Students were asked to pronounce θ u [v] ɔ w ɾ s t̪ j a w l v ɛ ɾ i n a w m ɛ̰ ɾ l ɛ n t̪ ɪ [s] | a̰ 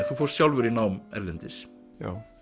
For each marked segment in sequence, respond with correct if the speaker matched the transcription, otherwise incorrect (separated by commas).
incorrect, correct